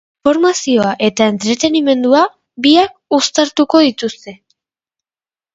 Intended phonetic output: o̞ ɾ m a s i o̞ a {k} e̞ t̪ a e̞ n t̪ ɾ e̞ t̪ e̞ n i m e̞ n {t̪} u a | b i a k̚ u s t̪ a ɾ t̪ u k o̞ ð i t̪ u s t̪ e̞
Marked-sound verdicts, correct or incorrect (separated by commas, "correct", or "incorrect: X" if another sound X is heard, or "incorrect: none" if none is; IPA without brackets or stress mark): incorrect: ʔ, incorrect: d̪